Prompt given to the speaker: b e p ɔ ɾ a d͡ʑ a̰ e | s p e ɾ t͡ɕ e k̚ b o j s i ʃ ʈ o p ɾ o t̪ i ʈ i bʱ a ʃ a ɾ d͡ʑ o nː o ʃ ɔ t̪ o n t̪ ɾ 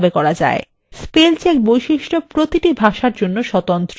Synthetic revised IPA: b e k ɔ ɾ a d͡ʑ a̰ e | s p e l t͡ɕ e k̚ b o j ʃ i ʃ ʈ o p ɾ o t̪ i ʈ i bʱ a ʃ a ɾ d͡ʑ o nː o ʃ ɔ t̪ o n t̪ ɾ